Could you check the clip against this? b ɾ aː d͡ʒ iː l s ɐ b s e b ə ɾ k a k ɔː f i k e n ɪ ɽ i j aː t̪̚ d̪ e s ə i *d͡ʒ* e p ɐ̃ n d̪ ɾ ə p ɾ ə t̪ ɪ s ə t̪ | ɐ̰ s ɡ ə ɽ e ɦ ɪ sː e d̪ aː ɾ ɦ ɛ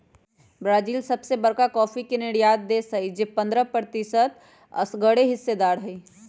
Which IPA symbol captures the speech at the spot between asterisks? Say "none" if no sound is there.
d͡ʒ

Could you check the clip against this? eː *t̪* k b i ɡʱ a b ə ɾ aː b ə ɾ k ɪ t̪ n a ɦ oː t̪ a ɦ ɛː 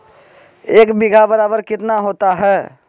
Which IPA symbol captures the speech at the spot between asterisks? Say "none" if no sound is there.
none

